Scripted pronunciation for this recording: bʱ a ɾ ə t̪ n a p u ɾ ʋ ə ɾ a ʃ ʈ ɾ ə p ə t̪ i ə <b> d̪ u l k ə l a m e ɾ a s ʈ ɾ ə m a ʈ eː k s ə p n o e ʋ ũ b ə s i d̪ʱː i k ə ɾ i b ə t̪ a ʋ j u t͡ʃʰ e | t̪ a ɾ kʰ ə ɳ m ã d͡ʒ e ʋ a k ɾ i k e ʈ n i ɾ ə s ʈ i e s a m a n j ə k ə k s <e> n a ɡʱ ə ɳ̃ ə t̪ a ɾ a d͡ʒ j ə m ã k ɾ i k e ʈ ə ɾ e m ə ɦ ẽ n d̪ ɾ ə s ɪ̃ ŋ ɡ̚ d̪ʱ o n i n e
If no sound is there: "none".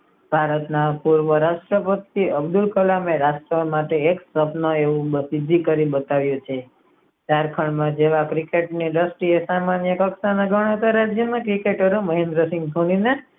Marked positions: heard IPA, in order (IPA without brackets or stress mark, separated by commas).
b, a